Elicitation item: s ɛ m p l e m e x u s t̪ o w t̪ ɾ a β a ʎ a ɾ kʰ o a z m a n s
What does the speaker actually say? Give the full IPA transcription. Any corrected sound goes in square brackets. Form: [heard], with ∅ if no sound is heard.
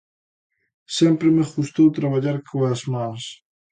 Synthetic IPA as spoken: s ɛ m p [ɾ] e m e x u s t̪ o w t̪ ɾ a β a ʎ a ɾ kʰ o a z m a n s